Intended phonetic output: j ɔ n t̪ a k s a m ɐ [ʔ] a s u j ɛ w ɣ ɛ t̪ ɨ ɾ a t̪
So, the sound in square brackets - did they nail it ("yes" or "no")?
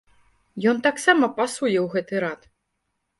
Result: no